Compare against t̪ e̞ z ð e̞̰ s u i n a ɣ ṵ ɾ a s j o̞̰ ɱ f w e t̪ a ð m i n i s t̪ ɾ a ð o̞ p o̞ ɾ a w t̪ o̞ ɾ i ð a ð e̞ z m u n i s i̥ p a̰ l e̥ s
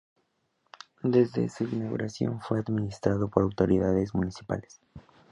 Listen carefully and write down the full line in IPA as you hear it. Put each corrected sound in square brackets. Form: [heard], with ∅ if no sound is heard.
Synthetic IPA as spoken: [d̪] e̞ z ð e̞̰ s u i n a ɣ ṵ ɾ a s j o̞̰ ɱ f w e [∅] a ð m i n i s t̪ ɾ a ð o̞ p o̞ ɾ a w t̪ o̞ ɾ i ð a ð e̞ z m u n i s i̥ p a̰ l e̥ s